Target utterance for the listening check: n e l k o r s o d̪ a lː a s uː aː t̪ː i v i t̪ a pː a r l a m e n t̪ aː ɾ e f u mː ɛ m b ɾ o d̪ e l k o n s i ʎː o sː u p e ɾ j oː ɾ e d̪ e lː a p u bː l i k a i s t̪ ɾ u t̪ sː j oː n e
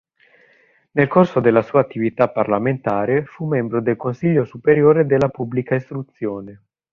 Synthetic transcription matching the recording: n e l k o r s o d̪ e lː a s uː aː t̪ː i v i t̪ a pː a r l a m e n t̪ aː ɾ e f u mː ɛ m b ɾ o d̪ e l k o n s i ʎː o s u p e ɾ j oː ɾ e d̪ e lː a p u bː l i k a i s t̪ ɾ u t̪ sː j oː n e